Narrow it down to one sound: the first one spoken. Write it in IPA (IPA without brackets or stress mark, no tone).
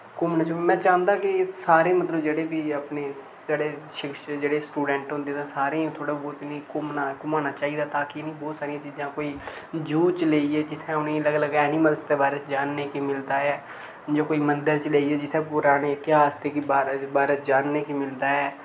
k